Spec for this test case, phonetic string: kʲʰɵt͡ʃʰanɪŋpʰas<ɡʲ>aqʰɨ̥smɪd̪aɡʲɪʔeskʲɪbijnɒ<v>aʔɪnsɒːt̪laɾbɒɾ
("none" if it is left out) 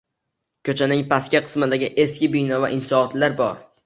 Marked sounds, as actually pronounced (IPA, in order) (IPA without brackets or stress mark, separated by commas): kʲ, v